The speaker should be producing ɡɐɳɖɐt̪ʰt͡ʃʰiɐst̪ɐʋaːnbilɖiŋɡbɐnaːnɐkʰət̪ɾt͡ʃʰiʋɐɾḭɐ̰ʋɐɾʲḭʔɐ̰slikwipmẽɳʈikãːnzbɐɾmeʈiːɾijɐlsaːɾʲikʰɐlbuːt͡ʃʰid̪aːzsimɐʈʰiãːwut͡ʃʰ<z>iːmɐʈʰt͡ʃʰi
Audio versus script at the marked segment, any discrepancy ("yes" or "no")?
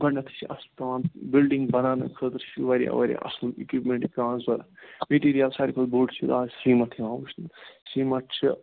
yes